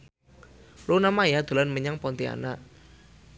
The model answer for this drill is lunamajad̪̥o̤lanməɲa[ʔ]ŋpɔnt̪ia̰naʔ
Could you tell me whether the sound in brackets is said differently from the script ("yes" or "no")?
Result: yes